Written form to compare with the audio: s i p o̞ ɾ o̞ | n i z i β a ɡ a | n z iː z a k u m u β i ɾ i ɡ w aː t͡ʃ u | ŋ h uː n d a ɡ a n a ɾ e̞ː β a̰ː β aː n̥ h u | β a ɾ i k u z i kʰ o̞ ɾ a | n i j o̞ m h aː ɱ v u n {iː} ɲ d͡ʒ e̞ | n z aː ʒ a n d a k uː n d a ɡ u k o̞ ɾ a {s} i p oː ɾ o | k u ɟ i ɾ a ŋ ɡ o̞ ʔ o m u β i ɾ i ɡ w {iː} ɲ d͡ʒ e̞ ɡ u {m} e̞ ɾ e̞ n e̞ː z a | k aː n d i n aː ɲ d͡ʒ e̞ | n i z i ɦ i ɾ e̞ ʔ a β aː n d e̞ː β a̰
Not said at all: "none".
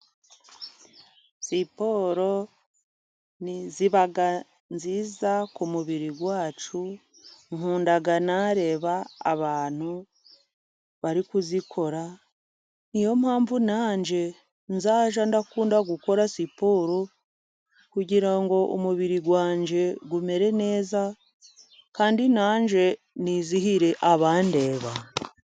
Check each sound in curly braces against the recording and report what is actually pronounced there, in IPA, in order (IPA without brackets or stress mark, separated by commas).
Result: aː, s, aː, m